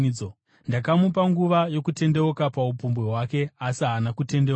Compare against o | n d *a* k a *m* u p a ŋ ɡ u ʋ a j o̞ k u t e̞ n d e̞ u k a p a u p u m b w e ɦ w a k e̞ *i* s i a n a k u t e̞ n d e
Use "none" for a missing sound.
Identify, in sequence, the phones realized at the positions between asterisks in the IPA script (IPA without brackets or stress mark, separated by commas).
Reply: a, m, a